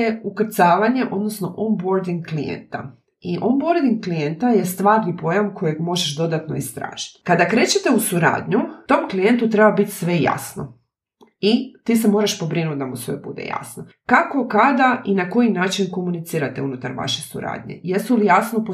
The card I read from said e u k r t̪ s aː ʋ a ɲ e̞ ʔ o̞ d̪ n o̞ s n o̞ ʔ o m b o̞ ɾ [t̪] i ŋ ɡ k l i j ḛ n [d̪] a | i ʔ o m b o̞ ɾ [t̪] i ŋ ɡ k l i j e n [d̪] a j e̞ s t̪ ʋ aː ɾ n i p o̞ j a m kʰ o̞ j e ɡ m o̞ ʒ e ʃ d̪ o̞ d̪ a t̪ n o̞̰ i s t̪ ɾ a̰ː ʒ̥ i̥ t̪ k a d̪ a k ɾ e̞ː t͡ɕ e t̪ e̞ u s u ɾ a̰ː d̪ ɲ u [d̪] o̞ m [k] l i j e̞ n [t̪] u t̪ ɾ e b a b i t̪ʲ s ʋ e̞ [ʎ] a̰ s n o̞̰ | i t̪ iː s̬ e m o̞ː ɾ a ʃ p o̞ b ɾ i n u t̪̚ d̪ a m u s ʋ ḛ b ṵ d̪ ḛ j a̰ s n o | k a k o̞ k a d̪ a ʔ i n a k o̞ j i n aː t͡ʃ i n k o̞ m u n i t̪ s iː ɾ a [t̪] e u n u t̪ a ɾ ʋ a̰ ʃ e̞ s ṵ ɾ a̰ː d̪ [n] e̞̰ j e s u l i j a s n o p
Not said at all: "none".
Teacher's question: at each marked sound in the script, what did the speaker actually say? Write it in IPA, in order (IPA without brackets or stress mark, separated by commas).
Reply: d̪, t̪, d̪, t̪, t̪, k, t̪, j, t̪, ɲ